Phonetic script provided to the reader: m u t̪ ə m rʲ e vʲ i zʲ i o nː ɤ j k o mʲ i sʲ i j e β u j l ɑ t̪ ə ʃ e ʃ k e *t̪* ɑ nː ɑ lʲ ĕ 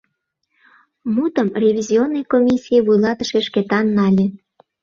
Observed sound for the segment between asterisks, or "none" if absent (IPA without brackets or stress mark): t̪